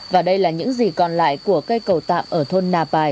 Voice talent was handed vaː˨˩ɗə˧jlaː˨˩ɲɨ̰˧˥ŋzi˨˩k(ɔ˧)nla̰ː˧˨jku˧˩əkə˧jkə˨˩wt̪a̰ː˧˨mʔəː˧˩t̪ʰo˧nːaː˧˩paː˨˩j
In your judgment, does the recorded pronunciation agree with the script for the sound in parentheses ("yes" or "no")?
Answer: no